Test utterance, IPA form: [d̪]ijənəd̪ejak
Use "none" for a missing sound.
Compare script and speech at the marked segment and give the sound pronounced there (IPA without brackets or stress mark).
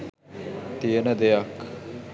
t̪